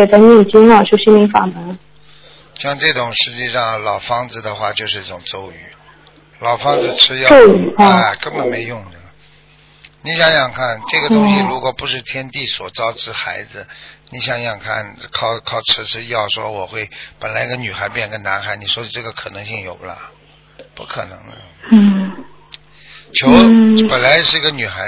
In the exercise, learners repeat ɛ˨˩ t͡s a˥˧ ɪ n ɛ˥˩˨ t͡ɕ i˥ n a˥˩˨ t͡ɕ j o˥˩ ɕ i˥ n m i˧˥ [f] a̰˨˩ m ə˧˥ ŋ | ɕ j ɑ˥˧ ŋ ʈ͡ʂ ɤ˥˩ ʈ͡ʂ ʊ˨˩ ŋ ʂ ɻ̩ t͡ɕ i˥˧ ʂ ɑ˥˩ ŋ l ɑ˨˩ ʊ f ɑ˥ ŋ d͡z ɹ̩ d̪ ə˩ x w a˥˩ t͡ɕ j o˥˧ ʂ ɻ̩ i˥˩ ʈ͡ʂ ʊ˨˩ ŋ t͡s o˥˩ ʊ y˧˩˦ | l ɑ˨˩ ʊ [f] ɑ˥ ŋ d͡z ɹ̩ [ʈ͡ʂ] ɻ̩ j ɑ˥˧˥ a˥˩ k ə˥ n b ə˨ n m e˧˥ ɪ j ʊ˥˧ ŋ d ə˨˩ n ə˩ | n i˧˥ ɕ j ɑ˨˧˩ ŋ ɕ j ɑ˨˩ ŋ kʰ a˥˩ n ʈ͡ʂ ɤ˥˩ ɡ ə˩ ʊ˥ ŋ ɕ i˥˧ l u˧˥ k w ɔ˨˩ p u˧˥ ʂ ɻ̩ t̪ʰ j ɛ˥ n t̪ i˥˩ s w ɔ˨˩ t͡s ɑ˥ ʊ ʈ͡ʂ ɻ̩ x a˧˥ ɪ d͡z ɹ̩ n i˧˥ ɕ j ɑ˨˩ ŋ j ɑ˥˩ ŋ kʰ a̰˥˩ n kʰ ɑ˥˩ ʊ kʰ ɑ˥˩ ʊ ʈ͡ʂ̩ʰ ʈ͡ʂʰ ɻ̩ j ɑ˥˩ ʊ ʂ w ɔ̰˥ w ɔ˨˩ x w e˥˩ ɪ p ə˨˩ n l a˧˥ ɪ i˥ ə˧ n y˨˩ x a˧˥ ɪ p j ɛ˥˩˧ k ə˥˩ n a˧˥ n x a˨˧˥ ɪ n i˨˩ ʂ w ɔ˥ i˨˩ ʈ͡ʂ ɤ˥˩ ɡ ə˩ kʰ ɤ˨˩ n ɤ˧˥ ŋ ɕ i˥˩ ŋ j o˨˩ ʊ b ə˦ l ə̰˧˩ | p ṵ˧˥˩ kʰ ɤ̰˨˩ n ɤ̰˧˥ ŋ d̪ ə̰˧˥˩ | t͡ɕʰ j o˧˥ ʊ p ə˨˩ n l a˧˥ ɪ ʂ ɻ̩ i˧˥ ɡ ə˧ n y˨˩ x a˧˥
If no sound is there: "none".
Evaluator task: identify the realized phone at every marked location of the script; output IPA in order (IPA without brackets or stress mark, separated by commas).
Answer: f, f, ʈ͡ʂʰ